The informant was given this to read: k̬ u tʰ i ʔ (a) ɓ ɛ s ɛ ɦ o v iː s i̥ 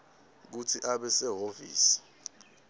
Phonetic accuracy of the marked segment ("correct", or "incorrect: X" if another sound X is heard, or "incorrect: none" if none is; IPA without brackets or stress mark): correct